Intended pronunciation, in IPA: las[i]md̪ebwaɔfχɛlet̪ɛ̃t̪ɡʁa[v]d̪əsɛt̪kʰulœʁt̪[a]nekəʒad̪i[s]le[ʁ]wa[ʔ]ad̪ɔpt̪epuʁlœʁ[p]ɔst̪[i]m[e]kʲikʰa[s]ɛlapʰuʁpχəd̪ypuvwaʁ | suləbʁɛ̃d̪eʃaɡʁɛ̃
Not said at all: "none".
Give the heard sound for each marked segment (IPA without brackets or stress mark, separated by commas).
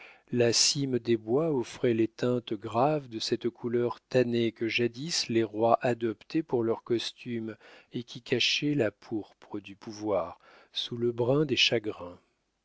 i, v, a, s, ʁ, ʔ, k, y, e, ʃ